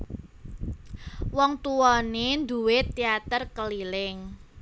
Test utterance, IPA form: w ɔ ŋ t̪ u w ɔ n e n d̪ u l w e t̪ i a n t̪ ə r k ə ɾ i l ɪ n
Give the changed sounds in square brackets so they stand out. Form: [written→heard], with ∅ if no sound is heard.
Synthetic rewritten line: w ɔ ŋ t̪ u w ɔ n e n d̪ u [l→∅] w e t̪ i a [n→∅] t̪ ə r k ə [ɾ→l] i l ɪ [n→ŋ]